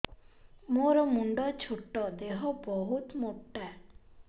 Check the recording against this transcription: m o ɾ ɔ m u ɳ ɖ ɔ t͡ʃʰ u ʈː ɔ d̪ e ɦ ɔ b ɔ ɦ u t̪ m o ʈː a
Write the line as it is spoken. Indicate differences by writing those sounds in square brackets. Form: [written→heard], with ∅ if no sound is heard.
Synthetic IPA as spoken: m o ɾ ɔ m u ɳ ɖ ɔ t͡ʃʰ u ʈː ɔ d̪ e ɦ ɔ b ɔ ɦ u t̪ m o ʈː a